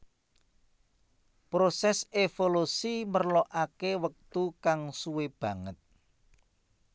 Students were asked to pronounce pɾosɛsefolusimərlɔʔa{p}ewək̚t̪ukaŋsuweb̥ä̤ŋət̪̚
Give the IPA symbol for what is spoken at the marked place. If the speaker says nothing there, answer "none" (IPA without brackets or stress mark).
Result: k